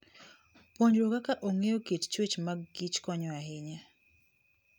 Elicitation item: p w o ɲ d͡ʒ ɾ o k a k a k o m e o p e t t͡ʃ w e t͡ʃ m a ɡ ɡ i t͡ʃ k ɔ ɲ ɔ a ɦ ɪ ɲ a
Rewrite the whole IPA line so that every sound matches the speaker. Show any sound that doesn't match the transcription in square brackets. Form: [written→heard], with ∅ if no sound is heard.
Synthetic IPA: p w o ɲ d͡ʒ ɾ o k a k a [k→ʔ] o [m→ŋ] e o [p→k] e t t͡ʃ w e t͡ʃ m a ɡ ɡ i t͡ʃ k ɔ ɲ ɔ a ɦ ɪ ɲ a